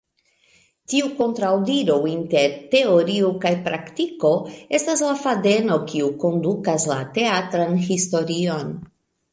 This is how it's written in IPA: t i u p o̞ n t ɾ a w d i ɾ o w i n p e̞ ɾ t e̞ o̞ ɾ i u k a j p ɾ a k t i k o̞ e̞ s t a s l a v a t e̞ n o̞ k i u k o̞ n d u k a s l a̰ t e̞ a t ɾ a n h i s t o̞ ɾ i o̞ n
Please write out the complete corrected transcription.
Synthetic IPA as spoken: t i u k o̞ n t ɾ a w d i ɾ o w i n t e̞ ɾ t e̞ o̞ ɾ i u k a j p ɾ a k t i k o̞ e̞ s t a s l a f a d e̞ n o̞ k i u k o̞ n d u k a s l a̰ t e̞ a t ɾ a n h i s t o̞ ɾ i o̞ n